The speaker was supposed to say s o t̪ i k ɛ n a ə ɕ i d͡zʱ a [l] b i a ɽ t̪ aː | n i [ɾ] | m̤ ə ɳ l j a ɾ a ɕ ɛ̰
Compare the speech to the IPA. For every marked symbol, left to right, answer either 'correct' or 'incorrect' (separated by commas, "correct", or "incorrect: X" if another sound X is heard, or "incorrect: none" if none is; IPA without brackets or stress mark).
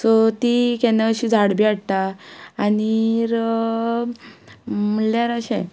incorrect: ɽ, correct